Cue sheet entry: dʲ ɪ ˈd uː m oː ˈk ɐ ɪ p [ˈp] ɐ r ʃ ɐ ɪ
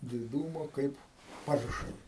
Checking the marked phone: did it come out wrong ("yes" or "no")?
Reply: no